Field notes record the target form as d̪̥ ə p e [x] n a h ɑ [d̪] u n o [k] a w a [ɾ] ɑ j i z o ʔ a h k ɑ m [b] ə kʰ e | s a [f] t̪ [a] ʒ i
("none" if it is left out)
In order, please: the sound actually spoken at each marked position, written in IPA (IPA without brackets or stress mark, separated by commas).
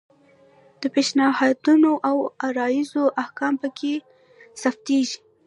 ʃ, d̪, ʔ, ɾ, p, f, e